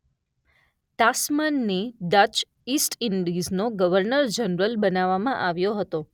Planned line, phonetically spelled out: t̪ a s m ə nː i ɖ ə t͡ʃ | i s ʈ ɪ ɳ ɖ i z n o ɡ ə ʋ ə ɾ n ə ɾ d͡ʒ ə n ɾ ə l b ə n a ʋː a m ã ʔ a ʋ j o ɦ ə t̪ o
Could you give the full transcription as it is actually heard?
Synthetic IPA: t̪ a s m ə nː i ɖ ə t͡ʃ | i s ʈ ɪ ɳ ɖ i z n o ɡ ə ʋ ə ɾ n ə ɾ d͡ʒ ə n ɾ ə l b ə n a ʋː a m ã ʔ a ʋ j o ɦ ə t̪ o